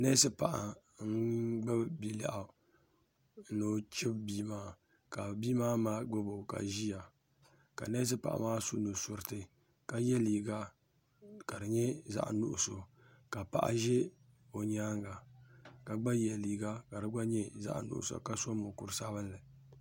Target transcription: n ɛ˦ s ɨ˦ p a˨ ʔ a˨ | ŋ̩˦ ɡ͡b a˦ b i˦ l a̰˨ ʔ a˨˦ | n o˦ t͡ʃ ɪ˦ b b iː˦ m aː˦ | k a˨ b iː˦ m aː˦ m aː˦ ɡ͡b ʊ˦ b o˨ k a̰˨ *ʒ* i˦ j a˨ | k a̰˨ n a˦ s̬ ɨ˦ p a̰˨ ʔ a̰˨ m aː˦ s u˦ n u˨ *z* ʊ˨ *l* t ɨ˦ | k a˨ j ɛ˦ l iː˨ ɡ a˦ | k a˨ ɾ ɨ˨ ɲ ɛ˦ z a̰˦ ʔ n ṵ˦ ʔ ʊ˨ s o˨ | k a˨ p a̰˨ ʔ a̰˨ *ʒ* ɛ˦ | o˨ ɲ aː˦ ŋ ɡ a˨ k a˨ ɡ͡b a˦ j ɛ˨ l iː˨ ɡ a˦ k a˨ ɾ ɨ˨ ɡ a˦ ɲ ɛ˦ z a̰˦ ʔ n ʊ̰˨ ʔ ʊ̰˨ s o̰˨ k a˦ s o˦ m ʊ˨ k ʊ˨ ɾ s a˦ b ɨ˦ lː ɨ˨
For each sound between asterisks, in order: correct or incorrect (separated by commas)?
correct, incorrect, incorrect, correct